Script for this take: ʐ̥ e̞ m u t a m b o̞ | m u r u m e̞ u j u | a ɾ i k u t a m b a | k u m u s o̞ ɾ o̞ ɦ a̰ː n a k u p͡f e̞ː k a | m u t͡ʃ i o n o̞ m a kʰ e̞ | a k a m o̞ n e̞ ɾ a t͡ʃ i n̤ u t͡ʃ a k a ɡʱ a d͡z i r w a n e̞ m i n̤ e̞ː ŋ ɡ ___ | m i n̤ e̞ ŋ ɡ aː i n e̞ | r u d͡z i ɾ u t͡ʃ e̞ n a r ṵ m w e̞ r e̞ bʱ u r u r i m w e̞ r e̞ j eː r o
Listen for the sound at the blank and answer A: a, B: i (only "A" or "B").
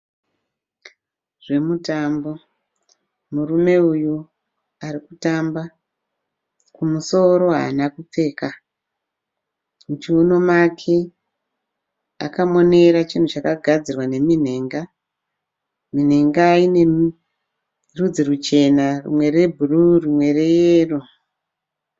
A